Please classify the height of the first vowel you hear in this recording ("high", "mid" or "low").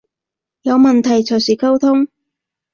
low